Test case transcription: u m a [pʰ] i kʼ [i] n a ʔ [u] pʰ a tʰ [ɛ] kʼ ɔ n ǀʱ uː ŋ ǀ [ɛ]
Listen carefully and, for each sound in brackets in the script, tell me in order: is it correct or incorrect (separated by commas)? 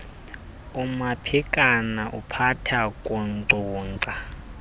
correct, incorrect, correct, incorrect, incorrect